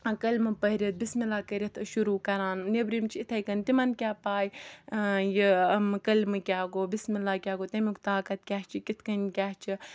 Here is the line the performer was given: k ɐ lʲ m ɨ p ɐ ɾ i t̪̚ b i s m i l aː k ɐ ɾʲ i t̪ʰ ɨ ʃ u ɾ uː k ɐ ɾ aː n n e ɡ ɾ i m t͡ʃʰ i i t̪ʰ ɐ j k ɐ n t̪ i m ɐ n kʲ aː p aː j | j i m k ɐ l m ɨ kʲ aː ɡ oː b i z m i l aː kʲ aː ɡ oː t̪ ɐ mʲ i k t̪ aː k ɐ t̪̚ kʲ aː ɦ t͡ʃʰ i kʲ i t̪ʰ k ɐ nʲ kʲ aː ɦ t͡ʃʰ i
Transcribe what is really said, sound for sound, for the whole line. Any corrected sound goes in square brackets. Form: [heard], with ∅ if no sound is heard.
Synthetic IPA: k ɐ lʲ m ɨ p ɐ ɾ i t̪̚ b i s m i l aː k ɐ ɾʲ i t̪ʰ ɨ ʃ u ɾ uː k ɐ ɾ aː n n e [b] ɾ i m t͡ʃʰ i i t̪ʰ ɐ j k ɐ n t̪ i m ɐ n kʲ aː p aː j | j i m k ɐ l m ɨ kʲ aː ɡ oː b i [s] m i l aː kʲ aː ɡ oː t̪ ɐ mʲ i k t̪ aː k ɐ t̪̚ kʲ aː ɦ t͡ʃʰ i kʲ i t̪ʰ k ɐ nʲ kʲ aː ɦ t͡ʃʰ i

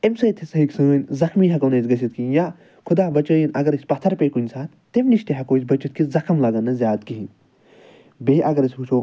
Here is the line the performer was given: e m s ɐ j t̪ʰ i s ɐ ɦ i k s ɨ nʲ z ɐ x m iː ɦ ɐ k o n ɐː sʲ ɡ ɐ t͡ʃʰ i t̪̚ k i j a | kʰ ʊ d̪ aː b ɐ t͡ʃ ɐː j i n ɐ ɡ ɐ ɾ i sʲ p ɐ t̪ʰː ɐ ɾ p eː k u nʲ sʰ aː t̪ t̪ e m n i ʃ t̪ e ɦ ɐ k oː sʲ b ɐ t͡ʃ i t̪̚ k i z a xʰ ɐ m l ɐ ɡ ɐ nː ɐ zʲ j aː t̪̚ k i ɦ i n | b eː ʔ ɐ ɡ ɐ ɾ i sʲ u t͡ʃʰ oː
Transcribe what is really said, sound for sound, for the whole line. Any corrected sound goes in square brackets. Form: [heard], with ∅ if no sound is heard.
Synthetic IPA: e m s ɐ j t̪ʰ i s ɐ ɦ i k s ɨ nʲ z ɐ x m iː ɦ ɐ k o n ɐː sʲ ɡ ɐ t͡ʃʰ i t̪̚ k i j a | kʰ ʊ d̪ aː b ɐ t͡ʃ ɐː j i n ɐ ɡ ɐ ɾ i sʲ p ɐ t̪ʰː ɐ ɾ p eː k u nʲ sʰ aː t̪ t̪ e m n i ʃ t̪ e ɦ ɐ k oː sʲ b ɐ t͡ʃ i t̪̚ k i z [ɐ] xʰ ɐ m l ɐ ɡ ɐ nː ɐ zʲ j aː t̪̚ k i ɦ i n | b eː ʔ ɐ ɡ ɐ ɾ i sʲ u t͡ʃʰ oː

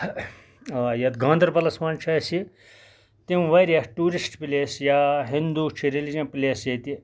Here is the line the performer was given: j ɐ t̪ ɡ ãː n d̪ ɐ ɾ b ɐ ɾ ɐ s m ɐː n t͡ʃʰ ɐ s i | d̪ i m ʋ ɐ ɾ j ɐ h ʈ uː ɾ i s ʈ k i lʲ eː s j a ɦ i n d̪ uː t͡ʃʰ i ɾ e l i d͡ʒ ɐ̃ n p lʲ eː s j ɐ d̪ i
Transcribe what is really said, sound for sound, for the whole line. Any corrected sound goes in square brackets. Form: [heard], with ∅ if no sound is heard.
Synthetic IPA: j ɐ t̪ ɡ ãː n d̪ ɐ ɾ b ɐ [l] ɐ s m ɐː n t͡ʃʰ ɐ s i | [t̪] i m ʋ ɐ ɾ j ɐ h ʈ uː ɾ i s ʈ [p] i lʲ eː s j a ɦ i n d̪ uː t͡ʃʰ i ɾ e l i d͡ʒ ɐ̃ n p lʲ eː s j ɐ [t̪] i

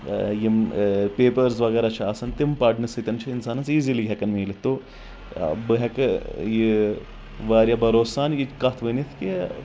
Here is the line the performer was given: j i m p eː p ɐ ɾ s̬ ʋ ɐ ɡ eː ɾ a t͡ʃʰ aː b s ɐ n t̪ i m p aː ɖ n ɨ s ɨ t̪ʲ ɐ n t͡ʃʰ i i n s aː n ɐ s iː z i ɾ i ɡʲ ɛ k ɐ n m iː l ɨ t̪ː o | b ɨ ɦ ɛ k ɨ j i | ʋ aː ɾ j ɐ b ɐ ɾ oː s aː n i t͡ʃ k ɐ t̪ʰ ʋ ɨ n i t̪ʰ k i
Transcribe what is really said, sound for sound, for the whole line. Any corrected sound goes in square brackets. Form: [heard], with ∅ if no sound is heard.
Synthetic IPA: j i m p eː p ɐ ɾ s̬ ʋ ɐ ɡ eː ɾ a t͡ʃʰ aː [∅] s ɐ n t̪ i m p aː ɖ n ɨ s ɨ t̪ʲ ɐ n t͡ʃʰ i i n s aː n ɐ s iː z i [l] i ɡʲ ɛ k ɐ n m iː l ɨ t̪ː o | b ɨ ɦ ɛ k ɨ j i | ʋ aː ɾ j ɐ b ɐ ɾ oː s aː n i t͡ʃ k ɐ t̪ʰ ʋ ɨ n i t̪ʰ k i

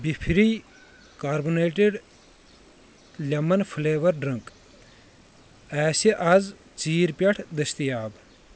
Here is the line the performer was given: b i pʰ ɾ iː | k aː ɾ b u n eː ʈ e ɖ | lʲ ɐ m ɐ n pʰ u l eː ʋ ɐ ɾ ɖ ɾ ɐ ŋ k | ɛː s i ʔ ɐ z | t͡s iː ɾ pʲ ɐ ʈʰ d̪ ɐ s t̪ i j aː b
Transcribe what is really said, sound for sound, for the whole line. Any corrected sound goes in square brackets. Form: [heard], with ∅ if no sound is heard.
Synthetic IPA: b i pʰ ɾ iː | k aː ɾ b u n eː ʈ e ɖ | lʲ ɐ m ɐ n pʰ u l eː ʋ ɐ ɾ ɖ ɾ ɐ ŋ k | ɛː s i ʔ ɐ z | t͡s iː ɾ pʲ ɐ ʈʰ d̪ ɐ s t̪ i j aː b

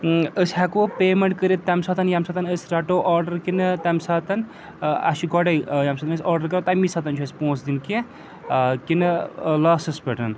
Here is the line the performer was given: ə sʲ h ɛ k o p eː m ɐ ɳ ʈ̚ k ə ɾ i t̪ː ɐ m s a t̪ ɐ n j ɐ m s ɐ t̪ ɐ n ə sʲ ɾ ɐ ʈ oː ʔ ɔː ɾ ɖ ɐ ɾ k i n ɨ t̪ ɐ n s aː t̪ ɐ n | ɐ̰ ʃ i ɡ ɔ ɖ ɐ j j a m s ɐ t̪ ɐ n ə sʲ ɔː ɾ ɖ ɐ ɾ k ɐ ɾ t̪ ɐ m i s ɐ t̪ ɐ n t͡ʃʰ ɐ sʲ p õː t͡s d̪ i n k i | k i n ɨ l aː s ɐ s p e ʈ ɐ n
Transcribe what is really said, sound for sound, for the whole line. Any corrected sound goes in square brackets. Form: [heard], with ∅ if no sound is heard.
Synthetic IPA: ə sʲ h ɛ k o p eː m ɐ ɳ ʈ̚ k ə ɾ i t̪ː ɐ m s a t̪ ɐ n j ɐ m s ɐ t̪ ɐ n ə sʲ ɾ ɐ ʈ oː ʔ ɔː ɾ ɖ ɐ ɾ k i n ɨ t̪ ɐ [m] s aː t̪ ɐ n | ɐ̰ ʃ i ɡ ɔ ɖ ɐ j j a m s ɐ t̪ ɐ n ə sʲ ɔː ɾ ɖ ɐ ɾ k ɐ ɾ t̪ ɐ m i s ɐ t̪ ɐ n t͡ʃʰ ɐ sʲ p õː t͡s d̪ i n k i | k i n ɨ l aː s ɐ s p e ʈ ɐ n

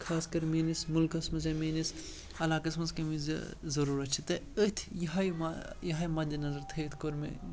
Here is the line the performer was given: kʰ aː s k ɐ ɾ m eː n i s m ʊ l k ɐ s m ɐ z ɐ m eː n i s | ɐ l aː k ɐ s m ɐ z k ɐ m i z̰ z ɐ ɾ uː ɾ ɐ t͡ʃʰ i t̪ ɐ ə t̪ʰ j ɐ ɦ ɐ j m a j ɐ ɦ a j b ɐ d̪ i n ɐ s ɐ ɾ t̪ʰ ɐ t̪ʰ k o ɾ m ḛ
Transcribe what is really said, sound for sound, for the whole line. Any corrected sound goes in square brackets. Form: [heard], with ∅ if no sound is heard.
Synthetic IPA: kʰ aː s k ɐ ɾ m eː n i s m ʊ l k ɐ s m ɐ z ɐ m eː n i s | ɐ l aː k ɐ s m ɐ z k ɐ m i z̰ z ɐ ɾ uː ɾ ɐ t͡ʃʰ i t̪ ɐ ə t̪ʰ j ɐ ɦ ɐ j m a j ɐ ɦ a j [m] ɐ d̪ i n ɐ [z] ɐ ɾ t̪ʰ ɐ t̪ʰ k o ɾ m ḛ

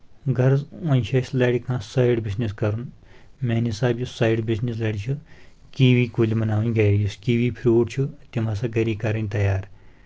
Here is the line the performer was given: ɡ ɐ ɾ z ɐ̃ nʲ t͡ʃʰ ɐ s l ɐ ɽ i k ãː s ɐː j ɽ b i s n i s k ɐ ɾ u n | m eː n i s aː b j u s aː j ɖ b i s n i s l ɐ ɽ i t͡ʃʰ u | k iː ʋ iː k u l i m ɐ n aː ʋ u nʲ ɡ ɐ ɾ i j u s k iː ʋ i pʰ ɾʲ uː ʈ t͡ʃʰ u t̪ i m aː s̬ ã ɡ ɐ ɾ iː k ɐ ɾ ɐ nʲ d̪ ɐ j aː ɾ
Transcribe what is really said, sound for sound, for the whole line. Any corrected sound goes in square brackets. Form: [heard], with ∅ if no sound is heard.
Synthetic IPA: ɡ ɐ ɾ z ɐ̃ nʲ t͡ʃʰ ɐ s l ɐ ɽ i k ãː s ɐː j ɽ b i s n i s k ɐ ɾ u n | m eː n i s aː b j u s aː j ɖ b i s n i s l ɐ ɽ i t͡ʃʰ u | k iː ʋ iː k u l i m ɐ n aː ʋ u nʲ ɡ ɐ ɾ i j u s k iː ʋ i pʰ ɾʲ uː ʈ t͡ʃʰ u t̪ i m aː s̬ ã ɡ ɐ ɾ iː k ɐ ɾ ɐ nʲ [t̪] ɐ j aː ɾ

